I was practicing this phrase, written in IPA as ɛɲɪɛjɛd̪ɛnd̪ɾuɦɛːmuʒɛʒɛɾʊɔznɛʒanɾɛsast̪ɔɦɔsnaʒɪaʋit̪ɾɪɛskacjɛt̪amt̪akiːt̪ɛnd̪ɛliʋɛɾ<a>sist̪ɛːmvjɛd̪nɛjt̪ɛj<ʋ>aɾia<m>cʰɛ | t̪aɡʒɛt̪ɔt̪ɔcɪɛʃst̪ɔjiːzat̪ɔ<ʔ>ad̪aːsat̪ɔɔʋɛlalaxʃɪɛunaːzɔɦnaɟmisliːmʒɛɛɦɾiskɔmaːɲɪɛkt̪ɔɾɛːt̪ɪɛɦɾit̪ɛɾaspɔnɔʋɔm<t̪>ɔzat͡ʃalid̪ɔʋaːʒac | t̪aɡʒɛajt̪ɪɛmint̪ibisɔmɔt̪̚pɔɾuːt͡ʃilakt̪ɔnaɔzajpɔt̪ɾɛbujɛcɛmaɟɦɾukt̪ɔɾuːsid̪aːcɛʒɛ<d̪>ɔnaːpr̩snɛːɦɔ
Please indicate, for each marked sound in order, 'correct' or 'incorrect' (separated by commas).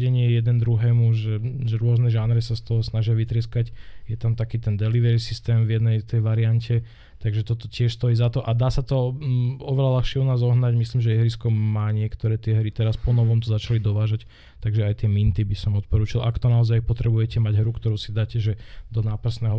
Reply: incorrect, correct, incorrect, correct, correct, correct